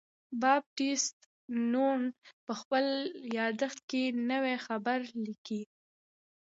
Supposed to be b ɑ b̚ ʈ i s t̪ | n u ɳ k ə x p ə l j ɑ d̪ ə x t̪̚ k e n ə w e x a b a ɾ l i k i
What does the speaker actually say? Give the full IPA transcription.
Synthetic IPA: b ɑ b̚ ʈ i s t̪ | n u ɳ p ə x p ə l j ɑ d̪ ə x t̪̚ k e n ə w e x a b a ɾ l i k i